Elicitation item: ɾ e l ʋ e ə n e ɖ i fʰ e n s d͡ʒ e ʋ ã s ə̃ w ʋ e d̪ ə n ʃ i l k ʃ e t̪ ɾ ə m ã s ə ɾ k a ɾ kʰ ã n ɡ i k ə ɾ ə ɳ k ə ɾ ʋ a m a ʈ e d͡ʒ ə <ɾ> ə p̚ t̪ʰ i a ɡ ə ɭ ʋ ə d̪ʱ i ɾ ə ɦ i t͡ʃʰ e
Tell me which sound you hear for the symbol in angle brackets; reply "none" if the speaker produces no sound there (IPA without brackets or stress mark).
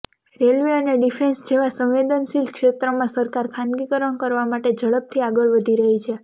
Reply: ɭ